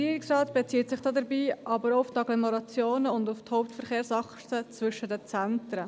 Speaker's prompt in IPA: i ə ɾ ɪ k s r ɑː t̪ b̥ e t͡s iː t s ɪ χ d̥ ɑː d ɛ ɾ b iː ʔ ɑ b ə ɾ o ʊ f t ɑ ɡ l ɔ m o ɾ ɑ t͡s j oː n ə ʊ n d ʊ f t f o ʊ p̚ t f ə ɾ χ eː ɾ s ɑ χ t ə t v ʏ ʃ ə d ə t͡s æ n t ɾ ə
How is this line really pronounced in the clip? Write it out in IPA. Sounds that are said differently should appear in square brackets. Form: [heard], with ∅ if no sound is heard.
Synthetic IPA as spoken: i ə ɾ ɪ k s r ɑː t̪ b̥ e t͡s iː t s ɪ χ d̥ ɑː d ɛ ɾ b iː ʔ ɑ b ə ɾ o ʊ f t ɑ ɡ l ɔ m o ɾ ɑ t͡s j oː n ə ʊ n d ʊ f t [h] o ʊ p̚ t f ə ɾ χ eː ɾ s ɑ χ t ə [t͡s] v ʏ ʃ ə d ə t͡s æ n t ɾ ə